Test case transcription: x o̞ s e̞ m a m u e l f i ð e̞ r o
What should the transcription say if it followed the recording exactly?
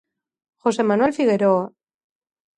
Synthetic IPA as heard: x o̞ s e̞ m a n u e l f i ɣ e̞ ɾ o